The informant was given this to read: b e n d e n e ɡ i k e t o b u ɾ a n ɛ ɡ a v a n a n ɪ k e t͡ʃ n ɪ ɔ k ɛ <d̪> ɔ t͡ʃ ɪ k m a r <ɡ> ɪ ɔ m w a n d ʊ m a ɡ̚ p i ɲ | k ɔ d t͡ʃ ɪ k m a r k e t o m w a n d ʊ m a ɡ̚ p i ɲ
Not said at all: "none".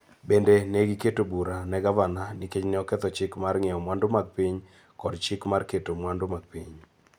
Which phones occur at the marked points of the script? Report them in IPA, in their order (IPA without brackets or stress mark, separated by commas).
t̪, ŋ